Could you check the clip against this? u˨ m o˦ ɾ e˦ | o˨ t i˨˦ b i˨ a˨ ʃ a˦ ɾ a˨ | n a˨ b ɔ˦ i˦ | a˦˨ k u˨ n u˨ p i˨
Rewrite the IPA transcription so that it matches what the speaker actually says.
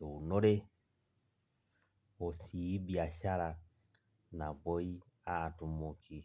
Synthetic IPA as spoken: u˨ n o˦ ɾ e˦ | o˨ s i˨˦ b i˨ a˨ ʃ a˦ ɾ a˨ | n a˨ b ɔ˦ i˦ | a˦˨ t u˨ m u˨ k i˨